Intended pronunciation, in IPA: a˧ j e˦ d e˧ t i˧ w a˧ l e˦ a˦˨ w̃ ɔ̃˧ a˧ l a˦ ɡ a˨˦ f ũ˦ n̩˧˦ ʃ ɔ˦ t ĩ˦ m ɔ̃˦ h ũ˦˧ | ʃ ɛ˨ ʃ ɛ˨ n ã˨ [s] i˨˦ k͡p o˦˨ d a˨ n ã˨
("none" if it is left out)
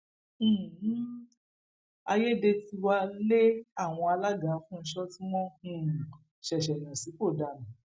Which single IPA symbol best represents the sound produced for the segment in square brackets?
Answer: s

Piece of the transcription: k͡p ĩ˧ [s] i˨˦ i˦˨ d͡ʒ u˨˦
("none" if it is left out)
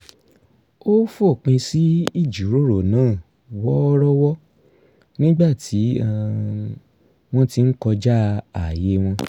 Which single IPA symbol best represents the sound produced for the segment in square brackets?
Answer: s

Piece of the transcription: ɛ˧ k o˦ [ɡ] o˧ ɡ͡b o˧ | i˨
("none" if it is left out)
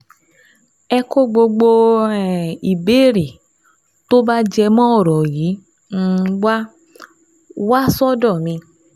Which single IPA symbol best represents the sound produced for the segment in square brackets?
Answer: ɡ͡b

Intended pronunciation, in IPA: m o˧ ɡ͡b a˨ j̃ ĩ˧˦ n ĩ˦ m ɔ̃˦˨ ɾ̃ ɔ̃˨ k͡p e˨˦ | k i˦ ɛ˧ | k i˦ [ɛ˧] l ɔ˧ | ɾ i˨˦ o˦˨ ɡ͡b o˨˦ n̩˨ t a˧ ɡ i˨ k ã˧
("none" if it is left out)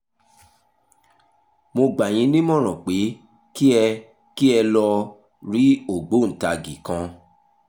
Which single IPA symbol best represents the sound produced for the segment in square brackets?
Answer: ɛ˧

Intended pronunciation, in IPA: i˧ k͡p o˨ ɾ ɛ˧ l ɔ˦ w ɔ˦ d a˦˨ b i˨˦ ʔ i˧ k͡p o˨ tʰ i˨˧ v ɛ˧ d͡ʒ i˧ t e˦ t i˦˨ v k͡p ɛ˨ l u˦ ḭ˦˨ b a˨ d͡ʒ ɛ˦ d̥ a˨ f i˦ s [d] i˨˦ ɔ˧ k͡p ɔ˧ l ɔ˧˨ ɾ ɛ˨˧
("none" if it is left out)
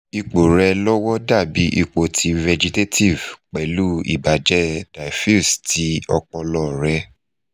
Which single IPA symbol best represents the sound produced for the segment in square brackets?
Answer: t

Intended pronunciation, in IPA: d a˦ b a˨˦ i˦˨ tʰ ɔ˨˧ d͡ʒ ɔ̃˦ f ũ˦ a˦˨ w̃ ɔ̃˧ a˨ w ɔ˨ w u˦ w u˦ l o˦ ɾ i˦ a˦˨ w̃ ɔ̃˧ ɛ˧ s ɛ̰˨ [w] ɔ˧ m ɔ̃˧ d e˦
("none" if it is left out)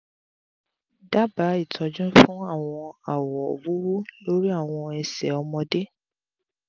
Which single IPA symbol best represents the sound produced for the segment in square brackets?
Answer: none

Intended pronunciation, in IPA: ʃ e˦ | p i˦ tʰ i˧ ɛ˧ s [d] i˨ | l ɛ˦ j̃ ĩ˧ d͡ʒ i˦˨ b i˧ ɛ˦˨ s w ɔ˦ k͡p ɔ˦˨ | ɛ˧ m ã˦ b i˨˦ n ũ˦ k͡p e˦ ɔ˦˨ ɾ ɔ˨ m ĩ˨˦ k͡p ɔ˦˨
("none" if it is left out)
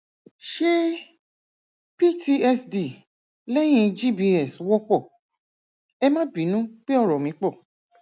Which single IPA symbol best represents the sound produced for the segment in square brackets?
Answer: d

